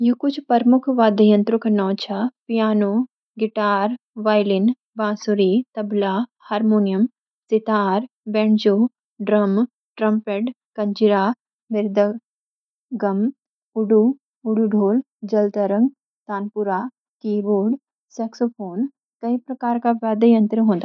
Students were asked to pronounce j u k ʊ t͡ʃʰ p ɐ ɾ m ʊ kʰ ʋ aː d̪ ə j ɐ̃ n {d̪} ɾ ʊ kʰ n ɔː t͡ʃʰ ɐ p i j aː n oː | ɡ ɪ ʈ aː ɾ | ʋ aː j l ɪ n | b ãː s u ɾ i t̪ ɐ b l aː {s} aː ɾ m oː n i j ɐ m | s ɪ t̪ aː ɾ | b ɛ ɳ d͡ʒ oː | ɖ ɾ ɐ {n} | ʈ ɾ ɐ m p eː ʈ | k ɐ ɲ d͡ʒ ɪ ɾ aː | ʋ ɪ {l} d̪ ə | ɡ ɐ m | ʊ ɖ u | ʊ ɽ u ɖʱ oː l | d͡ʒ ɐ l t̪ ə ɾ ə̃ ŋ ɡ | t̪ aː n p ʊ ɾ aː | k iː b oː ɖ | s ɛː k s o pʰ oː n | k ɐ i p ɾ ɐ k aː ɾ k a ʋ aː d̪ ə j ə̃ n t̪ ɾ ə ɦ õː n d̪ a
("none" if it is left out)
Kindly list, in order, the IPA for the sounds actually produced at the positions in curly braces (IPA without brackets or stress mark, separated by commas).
t̪, h, m, ɾ